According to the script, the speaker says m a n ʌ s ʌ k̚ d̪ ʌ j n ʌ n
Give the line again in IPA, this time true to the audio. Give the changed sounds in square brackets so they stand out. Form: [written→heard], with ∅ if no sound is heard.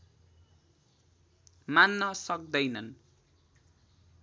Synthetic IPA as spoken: m a [n→nː] ʌ s ʌ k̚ d̪ ʌ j n ʌ n